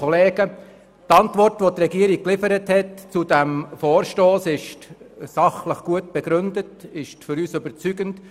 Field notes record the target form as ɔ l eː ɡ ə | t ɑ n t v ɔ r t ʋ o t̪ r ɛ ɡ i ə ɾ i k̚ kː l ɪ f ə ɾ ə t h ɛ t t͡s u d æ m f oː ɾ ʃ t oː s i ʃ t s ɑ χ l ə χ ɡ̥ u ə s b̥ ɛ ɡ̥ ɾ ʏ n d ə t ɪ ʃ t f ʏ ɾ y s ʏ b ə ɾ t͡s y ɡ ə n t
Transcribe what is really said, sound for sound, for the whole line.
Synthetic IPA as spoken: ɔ l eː ɡ ə | t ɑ n t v ɔ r t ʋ o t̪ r ɛ ɡ i ə ɾ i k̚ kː l ɪ f ə ɾ ə t h ɛ t t͡s u d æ m f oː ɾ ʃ t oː s ɪ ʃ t s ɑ χ l ə χ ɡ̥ u ə t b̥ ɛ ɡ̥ ɾ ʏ n d ə t ɪ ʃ t f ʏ ɾ yː s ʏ b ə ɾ t͡s y ɡ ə n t

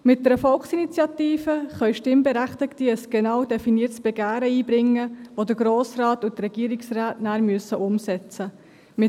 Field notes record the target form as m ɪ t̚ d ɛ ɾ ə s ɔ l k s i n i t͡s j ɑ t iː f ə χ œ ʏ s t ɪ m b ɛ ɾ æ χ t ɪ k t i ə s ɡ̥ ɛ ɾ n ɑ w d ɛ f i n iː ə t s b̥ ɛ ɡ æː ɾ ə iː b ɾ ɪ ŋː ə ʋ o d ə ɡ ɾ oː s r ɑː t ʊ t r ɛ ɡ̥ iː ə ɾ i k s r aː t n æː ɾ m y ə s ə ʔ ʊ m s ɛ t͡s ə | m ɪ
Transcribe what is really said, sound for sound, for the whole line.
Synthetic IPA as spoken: m ɪ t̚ d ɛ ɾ ə f ɔ l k s i n i t͡s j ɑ t iː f ə χ œ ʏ ʃ t ɪ m b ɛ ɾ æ χ t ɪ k t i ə s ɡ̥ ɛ n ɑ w d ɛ f i n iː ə t s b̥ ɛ ɡ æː ɾ ə iː b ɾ ɪ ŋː ə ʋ o d ə ɡ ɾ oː s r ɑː t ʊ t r ɛ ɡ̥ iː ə ɾ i k s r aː t n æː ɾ m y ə s ə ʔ ʊ m s ɛ t͡s ə | m ɪ

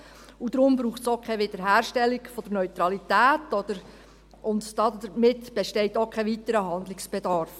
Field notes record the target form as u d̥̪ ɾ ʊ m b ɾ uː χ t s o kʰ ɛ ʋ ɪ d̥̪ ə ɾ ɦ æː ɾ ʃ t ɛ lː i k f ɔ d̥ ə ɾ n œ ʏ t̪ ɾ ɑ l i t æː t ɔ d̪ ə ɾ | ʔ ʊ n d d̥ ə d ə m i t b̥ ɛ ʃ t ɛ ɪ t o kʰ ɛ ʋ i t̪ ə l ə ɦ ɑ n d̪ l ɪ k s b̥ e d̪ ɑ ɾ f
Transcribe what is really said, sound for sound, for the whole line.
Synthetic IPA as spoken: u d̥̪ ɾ ʊ m b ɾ uː χ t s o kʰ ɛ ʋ ɪ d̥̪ ə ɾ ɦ æː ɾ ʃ t ɛ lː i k f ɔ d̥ ə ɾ n œ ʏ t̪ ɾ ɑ l i t æː t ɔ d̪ ə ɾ | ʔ ʊ n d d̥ ɑ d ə m ɪ t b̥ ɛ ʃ t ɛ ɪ t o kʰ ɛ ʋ i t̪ ə ɾ ə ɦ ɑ n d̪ l ɪ k s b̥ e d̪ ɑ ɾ f

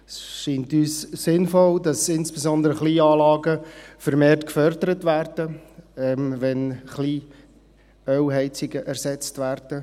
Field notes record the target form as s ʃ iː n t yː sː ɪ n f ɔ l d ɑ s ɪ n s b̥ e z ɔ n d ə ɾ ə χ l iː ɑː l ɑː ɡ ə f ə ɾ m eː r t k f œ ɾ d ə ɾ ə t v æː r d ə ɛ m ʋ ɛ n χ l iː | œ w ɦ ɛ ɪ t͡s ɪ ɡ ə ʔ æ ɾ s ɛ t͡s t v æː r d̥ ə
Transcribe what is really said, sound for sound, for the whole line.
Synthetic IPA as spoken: s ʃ iː n t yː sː ɪ n f ɔ l d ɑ s ɪ n s b̥ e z ɔ n d ə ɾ ə χ l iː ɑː l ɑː ɡ ə f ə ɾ m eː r t k f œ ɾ d ə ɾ ə t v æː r d ə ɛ m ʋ ɛ n χ l iː | œ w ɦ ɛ ɪ t͡s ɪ ɡ ə ʔ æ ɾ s ɛ t͡s t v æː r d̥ ə

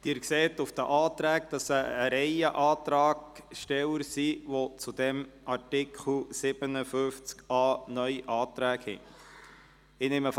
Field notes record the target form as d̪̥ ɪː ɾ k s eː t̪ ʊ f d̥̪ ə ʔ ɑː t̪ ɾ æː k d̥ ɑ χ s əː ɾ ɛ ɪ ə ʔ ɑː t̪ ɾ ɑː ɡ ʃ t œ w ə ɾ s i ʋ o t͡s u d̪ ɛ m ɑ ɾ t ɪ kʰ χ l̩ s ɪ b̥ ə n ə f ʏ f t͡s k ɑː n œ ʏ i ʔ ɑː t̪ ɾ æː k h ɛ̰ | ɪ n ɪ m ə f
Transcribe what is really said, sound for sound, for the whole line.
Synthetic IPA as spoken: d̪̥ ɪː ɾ k s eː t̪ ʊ f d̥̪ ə ʔ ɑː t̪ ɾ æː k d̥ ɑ s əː ɾ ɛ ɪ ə ʔ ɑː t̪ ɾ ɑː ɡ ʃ t ɛ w ə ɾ s i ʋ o t͡s u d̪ ɛ m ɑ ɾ t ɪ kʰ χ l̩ s ɪ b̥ ə n ə f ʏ f t͡s k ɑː n œ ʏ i ʔ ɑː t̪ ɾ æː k h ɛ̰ | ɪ n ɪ m ə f

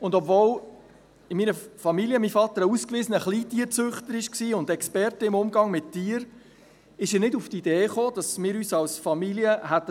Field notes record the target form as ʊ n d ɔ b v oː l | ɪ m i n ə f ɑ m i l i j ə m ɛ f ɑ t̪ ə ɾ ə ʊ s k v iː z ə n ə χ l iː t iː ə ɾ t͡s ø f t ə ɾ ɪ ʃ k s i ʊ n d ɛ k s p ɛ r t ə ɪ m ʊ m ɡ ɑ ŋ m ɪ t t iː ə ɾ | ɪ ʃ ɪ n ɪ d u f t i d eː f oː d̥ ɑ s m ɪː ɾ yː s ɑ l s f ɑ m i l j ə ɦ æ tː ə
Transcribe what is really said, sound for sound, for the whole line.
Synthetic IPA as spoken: ʊ n d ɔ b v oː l | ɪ m i n ə f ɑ m i l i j ə m i f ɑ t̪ ə ɾ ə u s k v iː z ə n ə χ l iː t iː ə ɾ t͡s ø χ t ə ɾ ɪ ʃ k s iː ʊ n d ɛ k s p ɛ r t ə ɪ m ʊ m ɡ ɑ ŋ m ɪ t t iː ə ɾ | ɪ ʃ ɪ n ɪ d u f t i d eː χ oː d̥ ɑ s m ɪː ɾ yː s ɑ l s f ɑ m i l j ə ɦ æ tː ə

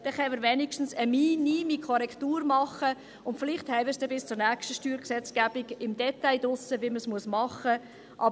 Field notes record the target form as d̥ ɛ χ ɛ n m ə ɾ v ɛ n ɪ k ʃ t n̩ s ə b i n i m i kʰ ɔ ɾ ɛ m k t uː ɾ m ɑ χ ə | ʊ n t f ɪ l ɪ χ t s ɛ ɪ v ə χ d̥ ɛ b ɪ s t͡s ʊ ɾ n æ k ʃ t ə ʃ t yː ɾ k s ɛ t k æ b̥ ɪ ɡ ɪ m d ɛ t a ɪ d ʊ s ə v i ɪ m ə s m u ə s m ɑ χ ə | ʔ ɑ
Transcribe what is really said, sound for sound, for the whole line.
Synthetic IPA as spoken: d̥ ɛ χ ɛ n m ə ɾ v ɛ n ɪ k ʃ t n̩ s ə m i n i m i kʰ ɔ ɾ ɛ k t uː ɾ m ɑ χ ə | ʊ n t f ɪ l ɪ χ t h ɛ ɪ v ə s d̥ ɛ b ɪ s t͡s ʊ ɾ n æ k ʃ t ə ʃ t yː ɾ k s ɛ t͡s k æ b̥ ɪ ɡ ɪ m d ɛ t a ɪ d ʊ s ə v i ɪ m ə s m u ə s m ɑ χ ə | ʔ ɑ

